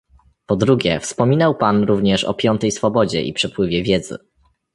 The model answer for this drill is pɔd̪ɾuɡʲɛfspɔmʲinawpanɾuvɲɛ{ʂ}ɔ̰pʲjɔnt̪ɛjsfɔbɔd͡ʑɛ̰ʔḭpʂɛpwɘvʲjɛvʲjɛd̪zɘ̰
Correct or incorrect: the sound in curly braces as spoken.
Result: correct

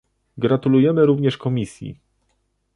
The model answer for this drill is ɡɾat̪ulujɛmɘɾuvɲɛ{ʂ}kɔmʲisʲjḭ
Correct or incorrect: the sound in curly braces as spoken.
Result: correct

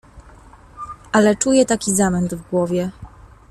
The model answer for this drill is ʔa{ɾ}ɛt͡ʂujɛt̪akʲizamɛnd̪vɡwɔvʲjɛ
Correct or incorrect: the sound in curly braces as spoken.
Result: incorrect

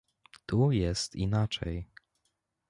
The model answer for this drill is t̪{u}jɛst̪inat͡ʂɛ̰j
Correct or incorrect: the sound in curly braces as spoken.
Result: correct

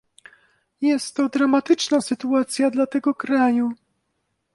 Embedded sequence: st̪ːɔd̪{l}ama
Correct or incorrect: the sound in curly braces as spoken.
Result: incorrect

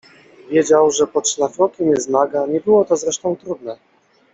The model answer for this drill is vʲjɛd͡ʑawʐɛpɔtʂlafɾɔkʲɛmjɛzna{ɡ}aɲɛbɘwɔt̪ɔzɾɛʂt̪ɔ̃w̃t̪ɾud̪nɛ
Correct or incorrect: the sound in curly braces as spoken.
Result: correct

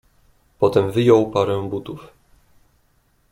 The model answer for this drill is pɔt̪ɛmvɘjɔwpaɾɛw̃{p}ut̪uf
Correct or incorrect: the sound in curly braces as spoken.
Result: incorrect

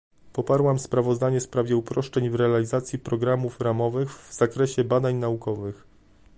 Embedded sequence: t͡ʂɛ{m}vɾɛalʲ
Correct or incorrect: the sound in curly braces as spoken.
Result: incorrect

